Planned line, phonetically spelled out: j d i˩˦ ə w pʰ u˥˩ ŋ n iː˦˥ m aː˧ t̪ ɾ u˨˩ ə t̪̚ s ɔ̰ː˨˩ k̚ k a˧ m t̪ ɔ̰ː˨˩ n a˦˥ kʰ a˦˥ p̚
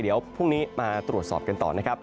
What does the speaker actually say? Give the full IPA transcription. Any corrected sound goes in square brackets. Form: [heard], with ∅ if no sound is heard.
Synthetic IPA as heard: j d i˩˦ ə w pʰ u˥˩ ŋ n iː˦˥ m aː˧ t̪ ɾ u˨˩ ə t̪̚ s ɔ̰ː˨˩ [p̚] k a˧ [n] t̪ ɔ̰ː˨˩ n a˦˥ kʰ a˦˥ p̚